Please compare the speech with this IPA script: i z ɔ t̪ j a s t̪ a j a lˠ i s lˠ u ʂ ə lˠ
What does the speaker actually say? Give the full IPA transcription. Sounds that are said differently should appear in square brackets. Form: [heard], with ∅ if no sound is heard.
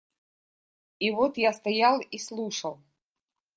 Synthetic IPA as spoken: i [v] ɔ t̪ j a s t̪ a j a lˠ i s lˠ u ʂ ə lˠ